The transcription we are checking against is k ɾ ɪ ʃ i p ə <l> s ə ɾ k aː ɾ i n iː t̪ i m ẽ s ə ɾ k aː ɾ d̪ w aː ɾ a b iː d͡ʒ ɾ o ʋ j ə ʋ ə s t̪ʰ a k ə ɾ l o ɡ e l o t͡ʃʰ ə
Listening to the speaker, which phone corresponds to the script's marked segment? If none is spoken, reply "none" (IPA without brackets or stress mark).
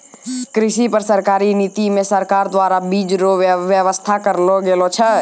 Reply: ɾ